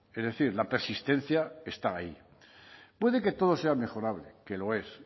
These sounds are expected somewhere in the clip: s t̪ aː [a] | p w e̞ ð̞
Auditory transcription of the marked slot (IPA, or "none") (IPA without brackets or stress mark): i